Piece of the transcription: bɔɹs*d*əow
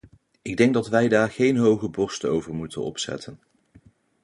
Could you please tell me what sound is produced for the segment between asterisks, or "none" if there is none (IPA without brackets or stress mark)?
t